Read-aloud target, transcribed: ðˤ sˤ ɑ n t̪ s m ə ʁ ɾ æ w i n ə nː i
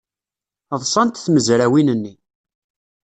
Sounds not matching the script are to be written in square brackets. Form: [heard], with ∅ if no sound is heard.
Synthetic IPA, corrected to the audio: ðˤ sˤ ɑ n t̪ [θ] m ə [z] ɾ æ w i n ə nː i